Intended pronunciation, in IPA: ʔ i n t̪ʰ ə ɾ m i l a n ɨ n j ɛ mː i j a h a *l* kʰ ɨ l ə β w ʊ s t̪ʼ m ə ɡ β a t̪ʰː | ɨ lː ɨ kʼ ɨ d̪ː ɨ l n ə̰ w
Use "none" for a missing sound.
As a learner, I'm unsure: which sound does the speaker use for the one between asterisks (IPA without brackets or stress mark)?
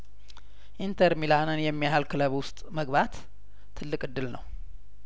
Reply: l